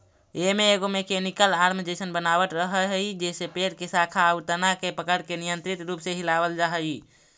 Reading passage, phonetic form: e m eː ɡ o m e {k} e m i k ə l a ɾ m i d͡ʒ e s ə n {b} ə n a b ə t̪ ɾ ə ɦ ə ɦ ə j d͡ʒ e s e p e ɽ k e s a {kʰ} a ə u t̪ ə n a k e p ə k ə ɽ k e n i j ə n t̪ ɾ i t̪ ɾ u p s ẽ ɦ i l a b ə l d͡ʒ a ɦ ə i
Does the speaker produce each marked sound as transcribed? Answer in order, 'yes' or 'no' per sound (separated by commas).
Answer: yes, yes, yes